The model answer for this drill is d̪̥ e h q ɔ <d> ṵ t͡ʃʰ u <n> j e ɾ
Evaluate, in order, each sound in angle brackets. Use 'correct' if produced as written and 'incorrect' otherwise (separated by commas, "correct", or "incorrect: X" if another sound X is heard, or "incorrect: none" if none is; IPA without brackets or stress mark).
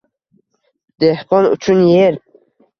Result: incorrect: n, correct